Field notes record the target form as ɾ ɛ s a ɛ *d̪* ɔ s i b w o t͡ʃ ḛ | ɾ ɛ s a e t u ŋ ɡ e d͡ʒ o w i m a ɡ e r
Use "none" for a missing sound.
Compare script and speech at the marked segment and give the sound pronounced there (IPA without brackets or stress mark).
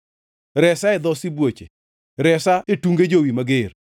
d̪